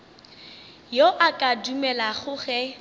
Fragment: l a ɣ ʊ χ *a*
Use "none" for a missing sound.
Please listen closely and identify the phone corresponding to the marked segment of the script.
ɛ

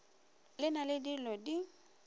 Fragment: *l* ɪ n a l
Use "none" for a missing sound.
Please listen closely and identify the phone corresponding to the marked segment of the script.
l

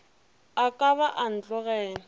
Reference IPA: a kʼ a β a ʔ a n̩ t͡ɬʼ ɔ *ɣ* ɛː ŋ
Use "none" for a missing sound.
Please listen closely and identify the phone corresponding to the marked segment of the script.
ɣ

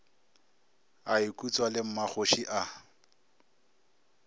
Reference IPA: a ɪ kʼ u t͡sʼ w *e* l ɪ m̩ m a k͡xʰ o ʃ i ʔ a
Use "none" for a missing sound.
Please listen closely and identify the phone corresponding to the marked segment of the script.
a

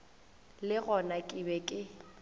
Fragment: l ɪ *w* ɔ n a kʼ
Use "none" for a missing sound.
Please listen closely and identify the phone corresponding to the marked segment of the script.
ɣ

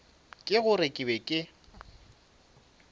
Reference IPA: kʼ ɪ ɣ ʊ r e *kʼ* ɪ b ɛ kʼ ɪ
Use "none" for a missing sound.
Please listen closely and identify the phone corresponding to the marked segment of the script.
kʼ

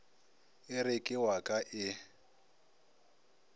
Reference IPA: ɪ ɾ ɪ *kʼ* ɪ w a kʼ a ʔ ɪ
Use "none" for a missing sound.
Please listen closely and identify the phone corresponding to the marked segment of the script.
kʼ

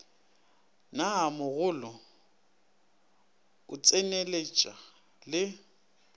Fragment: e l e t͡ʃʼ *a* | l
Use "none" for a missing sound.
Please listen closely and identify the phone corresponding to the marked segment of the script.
a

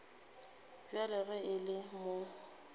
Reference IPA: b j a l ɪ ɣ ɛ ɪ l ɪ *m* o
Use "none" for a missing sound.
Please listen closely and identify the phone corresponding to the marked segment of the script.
m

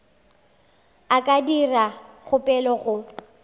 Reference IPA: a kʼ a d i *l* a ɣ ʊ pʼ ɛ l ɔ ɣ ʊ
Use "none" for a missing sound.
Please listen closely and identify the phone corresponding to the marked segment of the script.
r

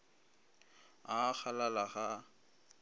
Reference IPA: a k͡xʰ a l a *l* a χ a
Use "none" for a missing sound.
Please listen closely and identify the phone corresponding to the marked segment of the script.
l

